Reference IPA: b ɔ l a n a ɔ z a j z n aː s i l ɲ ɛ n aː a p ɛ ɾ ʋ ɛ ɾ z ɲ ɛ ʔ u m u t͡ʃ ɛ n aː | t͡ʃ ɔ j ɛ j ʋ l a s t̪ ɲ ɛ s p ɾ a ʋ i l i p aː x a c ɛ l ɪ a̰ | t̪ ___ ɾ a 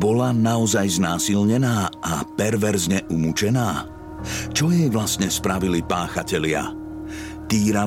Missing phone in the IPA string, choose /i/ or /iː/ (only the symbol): iː